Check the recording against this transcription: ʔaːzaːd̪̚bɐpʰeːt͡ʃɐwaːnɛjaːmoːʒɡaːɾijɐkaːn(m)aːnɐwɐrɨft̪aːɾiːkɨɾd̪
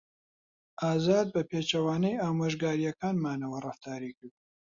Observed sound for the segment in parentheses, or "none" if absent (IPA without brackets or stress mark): m